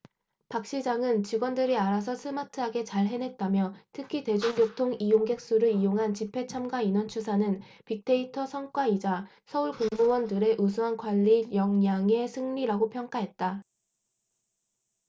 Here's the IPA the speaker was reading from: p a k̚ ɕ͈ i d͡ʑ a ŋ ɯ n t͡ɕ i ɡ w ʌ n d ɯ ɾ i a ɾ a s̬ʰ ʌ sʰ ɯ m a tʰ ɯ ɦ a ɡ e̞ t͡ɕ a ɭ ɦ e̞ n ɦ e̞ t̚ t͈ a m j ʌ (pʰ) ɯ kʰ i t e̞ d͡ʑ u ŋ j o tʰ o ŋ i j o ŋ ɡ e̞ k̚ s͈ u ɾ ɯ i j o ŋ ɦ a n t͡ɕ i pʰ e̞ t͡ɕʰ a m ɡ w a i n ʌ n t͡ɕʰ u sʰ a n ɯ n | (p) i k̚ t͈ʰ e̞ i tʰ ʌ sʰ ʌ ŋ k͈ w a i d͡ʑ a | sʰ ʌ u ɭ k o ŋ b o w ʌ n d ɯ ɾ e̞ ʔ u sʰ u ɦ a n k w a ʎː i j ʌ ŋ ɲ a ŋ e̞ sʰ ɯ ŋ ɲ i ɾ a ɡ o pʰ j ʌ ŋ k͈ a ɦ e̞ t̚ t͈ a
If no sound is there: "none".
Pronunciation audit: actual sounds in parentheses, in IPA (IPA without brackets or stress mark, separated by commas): tʰ, p